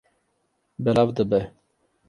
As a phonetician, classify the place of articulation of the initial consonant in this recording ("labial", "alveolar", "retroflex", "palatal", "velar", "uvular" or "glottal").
labial